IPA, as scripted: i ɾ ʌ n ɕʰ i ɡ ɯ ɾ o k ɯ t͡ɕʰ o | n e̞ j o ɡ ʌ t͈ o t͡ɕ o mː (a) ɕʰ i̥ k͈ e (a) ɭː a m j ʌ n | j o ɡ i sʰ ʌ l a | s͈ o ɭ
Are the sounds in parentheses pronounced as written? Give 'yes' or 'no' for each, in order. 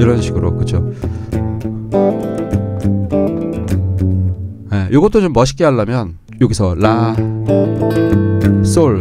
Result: no, yes

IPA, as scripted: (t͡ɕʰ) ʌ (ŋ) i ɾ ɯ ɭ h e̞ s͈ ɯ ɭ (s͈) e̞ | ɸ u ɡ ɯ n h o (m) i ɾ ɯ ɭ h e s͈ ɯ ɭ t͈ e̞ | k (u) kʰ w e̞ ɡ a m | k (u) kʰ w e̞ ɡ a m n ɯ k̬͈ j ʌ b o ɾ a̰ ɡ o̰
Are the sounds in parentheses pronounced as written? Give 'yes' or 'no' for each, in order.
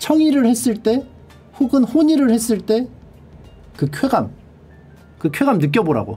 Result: yes, yes, no, no, no, no

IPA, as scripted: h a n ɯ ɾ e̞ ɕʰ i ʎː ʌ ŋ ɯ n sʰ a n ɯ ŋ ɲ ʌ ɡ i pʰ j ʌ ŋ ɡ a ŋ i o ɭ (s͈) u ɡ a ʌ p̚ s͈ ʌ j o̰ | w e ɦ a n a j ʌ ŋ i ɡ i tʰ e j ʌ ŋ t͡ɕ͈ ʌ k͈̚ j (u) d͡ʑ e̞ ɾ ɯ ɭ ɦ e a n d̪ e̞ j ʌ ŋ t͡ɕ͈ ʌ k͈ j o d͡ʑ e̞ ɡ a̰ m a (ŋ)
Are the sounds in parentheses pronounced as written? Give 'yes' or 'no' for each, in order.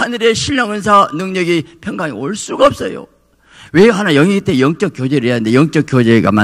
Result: yes, no, no

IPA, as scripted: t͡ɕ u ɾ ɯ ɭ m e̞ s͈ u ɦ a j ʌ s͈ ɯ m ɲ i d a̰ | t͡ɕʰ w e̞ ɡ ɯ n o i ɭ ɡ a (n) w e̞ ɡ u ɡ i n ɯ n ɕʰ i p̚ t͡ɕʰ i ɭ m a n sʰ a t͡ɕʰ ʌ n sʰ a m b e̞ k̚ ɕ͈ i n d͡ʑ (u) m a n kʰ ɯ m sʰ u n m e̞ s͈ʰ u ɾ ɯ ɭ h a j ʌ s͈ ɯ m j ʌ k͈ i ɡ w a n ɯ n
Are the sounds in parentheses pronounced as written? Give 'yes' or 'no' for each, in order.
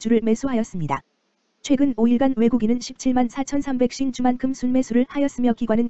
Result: yes, yes

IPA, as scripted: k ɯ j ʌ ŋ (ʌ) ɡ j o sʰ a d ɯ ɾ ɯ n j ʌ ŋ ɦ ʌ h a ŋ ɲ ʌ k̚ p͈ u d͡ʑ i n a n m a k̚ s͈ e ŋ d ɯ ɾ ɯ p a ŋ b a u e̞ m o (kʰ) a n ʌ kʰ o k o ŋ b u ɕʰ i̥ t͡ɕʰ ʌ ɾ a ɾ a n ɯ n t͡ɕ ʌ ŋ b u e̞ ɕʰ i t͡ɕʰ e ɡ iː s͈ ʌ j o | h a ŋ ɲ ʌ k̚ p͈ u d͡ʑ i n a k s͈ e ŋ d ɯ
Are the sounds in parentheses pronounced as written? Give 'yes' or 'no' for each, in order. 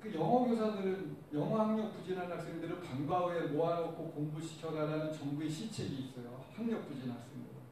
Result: yes, no

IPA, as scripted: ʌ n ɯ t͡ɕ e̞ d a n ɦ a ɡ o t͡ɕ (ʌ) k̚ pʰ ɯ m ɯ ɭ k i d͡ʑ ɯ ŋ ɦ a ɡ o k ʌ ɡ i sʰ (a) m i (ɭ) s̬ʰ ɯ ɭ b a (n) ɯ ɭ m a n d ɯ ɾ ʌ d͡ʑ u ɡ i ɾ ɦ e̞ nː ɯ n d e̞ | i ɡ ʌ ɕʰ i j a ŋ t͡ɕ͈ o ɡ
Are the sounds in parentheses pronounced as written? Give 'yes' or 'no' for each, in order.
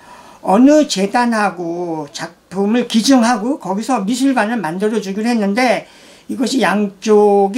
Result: no, no, no, yes

